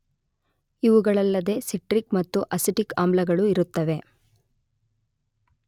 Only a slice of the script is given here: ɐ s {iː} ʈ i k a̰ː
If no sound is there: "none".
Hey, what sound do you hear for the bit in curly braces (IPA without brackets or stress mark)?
i